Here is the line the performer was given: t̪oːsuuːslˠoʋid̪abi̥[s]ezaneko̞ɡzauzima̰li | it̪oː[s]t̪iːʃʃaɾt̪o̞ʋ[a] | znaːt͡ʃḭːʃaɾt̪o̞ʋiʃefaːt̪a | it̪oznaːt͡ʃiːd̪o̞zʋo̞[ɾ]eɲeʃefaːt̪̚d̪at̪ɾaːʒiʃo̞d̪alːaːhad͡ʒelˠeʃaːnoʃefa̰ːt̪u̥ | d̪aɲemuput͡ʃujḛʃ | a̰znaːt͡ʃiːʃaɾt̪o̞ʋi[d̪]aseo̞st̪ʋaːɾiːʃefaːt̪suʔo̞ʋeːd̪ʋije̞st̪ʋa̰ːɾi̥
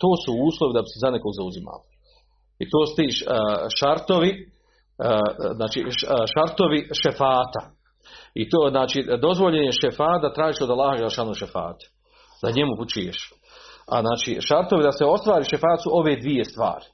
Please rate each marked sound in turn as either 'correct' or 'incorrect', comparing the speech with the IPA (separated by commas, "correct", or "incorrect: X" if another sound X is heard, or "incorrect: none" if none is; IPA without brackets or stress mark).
correct, correct, incorrect: i, incorrect: ʎ, correct